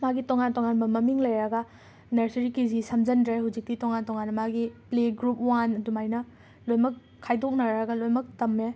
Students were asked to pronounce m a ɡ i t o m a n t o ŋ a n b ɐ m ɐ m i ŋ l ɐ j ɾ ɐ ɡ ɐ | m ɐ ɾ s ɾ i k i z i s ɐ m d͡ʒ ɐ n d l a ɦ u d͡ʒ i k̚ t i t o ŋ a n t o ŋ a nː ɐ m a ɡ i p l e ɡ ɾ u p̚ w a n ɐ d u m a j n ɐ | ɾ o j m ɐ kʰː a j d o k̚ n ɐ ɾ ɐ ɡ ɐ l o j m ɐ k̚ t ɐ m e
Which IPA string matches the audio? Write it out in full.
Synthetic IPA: m a ɡ i t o ŋ a n t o ŋ a n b ɐ m ɐ m i ŋ l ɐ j ɾ ɐ ɡ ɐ | n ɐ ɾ s ɾ i k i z i s ɐ m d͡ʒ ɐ n d ɾ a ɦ u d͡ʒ i k̚ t i t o ŋ a n t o ŋ a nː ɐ m a ɡ i p l e ɡ ɾ u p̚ w a n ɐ d u m a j n ɐ | l o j m ɐ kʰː a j d o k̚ n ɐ ɾ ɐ ɡ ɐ l o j m ɐ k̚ t ɐ m e